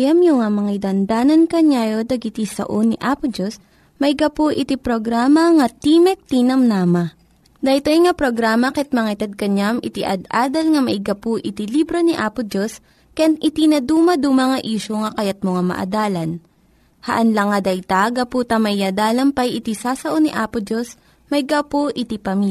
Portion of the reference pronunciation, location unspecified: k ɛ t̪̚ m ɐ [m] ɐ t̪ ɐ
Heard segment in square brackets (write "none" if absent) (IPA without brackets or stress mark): ŋ